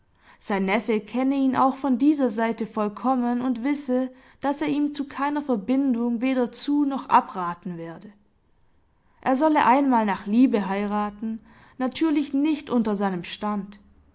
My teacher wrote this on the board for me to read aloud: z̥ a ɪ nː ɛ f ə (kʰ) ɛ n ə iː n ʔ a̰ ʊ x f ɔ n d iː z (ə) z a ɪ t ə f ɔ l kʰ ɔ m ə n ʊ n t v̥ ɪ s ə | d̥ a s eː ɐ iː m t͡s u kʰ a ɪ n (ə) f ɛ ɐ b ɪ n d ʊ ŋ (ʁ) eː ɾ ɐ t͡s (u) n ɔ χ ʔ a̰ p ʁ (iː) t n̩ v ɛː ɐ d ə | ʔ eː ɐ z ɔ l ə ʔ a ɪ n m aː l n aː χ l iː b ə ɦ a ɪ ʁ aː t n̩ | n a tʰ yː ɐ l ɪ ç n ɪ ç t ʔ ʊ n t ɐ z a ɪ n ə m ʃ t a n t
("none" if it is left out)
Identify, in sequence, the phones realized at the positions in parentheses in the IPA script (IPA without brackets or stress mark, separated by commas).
kʰ, ɐ, ɐ, v, uː, aː